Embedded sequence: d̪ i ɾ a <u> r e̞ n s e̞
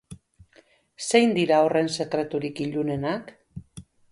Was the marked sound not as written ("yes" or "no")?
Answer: yes